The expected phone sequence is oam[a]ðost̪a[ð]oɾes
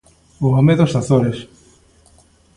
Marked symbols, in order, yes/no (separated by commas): no, no